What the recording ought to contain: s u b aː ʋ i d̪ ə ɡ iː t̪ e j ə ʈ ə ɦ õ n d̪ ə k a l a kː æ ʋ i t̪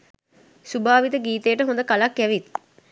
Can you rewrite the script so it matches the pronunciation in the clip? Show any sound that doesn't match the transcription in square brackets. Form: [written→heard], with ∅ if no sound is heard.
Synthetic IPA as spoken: s u b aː ʋ i [d̪→t̪] ə ɡ iː t̪ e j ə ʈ ə ɦ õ n d̪ ə k a l a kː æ ʋ i t̪